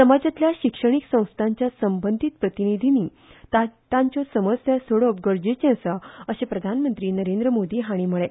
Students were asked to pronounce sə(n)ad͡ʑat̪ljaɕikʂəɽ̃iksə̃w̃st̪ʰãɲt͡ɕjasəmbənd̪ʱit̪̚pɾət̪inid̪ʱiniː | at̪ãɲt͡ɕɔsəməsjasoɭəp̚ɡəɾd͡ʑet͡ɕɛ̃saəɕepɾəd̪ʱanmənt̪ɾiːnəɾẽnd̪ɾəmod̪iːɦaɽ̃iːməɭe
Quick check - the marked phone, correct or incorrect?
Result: incorrect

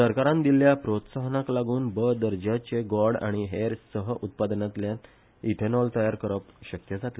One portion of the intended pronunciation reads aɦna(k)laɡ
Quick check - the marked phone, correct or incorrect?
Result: correct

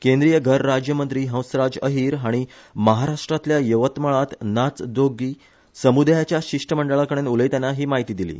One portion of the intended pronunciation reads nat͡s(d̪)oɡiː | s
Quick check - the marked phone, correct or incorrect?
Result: correct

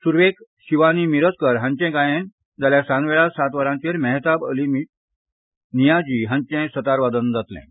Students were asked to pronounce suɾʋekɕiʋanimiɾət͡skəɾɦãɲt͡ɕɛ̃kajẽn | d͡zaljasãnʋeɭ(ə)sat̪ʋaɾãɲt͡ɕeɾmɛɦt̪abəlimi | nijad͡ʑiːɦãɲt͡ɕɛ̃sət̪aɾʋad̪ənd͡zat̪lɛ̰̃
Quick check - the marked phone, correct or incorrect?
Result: incorrect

